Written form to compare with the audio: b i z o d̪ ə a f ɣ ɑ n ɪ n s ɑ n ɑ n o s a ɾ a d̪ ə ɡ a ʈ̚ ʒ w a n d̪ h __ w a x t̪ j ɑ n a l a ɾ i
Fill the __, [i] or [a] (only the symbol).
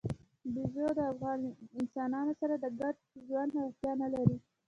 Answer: a